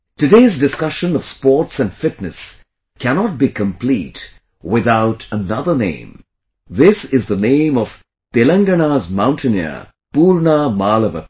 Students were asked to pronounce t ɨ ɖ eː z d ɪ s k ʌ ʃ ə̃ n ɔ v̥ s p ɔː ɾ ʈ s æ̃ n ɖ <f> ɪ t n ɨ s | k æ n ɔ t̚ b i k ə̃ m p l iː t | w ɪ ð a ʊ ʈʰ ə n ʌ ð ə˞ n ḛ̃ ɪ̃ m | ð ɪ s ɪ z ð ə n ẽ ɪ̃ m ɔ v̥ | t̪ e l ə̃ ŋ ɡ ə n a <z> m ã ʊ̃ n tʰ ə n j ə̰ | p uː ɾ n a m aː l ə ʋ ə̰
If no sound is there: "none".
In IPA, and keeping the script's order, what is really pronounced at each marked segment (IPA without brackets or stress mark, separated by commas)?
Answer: f, z